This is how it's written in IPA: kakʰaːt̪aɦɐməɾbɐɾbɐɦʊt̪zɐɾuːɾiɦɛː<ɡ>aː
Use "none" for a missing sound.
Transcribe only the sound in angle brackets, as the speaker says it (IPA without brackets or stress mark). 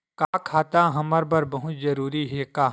k